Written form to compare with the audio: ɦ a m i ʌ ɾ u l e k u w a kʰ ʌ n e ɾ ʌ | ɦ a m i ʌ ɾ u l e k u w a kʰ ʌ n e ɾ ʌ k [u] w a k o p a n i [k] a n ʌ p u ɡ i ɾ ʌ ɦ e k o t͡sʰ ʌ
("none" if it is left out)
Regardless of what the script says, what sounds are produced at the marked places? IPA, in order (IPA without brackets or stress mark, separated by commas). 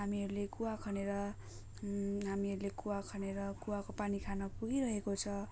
u, kʰ